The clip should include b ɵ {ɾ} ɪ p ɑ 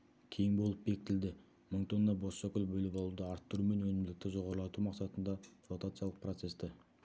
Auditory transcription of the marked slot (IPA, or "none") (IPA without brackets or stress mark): l